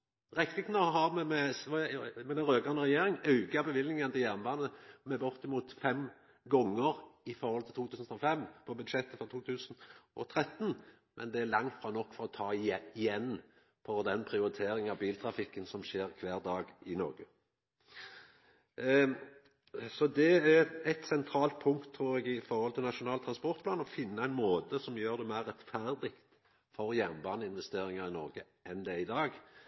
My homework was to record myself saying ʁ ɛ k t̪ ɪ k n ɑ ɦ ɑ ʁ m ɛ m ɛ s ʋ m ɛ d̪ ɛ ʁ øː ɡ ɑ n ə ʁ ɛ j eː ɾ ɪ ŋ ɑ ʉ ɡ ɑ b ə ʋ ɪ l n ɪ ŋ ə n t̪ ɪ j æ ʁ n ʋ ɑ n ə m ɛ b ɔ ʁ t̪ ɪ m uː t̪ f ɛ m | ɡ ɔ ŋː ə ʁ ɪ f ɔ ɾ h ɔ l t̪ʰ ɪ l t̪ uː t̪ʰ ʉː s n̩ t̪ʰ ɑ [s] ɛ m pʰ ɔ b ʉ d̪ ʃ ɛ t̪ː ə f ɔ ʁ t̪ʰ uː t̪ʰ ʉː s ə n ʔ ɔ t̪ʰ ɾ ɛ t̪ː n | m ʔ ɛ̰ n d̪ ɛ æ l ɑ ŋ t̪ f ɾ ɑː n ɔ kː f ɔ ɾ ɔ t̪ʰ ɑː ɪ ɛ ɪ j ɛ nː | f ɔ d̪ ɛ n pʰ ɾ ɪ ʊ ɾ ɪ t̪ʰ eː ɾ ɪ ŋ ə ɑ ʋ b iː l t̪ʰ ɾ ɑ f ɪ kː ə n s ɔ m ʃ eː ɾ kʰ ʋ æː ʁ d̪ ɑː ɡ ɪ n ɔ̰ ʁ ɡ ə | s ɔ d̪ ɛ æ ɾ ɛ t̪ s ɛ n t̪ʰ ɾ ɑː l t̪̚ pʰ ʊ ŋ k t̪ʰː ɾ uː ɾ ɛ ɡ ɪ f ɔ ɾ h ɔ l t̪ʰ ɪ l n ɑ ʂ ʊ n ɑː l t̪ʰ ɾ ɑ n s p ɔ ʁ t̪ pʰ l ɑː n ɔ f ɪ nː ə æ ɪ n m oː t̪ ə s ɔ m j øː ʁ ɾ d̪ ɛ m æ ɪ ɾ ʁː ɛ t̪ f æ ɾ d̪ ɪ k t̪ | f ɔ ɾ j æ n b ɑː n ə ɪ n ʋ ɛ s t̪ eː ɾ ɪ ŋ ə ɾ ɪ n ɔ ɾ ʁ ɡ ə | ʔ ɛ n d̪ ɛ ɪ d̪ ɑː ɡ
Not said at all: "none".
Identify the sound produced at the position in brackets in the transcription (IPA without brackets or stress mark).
f